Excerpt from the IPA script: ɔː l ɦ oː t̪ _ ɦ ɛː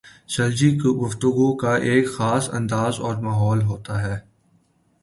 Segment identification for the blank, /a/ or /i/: a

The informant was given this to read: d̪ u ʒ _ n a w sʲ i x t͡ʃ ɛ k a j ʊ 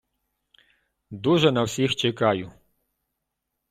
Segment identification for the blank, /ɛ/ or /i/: ɛ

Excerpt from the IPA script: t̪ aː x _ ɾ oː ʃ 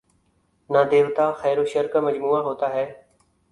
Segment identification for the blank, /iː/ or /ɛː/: ɛː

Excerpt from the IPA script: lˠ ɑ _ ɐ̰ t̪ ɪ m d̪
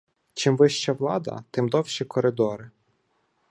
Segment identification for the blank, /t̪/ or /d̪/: d̪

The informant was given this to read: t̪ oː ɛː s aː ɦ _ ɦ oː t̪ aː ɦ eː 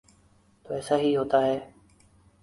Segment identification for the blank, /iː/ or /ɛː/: iː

